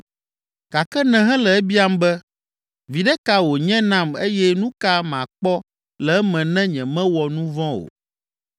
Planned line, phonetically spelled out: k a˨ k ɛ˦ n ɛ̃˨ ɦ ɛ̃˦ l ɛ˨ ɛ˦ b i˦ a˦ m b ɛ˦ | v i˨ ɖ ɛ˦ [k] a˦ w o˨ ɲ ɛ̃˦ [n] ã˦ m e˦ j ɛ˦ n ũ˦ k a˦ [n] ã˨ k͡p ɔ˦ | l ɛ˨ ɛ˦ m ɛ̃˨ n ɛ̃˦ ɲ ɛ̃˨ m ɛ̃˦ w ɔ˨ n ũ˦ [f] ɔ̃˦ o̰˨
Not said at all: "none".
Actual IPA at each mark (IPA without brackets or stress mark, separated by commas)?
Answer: k, n, m, v